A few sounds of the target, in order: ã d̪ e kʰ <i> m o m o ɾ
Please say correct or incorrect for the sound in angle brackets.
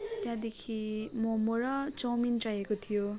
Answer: correct